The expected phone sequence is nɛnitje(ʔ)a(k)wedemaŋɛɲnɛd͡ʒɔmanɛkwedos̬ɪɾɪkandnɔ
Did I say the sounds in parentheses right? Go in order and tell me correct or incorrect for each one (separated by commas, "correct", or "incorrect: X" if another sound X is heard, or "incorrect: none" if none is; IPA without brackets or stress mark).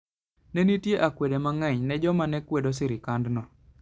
correct, correct